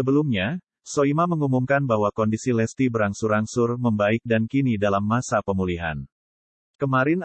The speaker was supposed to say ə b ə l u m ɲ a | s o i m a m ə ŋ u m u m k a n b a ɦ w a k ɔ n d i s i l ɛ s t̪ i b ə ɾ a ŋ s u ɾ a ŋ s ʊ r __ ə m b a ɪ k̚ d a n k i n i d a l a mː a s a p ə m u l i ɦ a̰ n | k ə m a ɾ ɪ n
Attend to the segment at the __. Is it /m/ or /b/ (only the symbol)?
m